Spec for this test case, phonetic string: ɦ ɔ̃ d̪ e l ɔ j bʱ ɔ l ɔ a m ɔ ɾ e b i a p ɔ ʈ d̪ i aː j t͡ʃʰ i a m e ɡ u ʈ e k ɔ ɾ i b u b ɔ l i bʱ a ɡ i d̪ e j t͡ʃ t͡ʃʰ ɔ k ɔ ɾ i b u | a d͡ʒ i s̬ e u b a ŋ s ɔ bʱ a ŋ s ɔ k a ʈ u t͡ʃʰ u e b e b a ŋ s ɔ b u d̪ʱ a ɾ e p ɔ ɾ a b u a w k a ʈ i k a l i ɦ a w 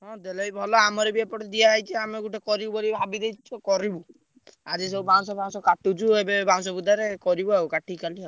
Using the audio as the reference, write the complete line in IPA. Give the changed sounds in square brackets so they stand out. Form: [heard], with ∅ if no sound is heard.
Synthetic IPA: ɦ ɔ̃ d̪ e l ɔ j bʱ ɔ l ɔ a m ɔ ɾ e b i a p ɔ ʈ d̪ i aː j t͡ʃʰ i a m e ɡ u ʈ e k ɔ ɾ i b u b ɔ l i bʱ a [b] i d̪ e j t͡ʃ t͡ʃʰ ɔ k ɔ ɾ i b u | a d͡ʒ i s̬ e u b a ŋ s ɔ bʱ a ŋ s ɔ k a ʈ u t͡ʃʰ u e b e b a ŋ s ɔ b u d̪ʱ a ɾ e [k] ɔ ɾ [i] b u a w k a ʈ i k a l i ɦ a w